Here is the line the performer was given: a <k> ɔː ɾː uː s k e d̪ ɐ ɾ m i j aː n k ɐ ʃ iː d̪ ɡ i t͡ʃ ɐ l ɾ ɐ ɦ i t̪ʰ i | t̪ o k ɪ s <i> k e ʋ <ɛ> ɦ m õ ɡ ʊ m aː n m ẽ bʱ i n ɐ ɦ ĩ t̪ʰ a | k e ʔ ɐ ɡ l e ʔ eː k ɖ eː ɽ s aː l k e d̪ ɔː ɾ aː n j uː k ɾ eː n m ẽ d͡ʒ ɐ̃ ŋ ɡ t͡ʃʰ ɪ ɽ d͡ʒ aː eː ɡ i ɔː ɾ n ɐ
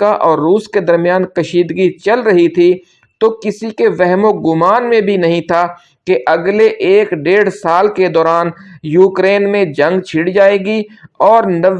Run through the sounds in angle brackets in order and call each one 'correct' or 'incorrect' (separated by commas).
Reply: incorrect, correct, correct